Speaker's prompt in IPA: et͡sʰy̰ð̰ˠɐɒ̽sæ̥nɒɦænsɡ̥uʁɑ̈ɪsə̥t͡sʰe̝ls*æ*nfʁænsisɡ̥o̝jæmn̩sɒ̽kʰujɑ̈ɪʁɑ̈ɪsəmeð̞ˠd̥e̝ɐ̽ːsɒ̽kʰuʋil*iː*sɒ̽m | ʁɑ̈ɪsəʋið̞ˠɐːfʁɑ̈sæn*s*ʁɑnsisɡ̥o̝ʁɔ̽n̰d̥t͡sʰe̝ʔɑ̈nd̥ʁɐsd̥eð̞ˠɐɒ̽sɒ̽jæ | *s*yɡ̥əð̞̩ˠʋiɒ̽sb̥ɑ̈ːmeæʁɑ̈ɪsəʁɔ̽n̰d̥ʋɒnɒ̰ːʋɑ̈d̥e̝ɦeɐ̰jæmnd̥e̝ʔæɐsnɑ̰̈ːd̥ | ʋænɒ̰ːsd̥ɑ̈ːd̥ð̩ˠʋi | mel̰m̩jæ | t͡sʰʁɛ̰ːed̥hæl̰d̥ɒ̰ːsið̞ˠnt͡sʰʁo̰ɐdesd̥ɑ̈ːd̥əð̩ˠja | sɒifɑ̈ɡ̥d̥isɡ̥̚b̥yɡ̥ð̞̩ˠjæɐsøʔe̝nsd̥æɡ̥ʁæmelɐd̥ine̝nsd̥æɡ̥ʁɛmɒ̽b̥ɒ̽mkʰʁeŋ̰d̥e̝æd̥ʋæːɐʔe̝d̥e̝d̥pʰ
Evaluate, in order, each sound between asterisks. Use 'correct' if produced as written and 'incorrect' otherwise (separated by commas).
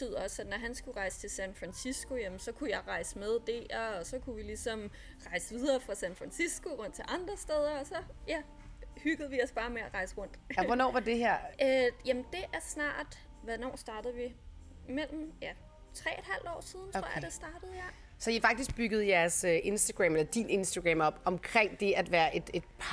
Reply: correct, incorrect, incorrect, incorrect